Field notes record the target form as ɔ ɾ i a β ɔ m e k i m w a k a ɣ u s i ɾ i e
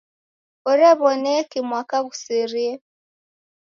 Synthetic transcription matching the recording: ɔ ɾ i a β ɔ n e k i m w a k a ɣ u s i ɾ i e